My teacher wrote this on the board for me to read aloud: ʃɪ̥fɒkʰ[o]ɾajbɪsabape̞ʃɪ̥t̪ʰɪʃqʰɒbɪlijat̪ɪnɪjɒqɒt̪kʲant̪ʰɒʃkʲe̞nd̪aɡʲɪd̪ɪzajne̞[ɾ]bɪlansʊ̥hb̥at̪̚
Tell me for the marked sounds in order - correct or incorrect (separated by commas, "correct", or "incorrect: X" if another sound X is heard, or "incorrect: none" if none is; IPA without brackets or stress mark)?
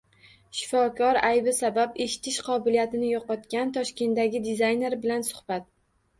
incorrect: ɒ, correct